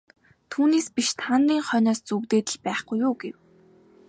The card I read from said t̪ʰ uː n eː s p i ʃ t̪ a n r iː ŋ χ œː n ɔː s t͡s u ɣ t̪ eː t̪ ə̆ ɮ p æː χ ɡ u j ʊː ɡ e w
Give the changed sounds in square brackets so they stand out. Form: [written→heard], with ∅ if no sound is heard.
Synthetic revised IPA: t̪ʰ uː n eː s p i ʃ [t̪→t̪ʰ] a n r iː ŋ χ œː n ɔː s t͡s u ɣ t̪ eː t̪ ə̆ ɮ p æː χ ɡ u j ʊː ɡ e w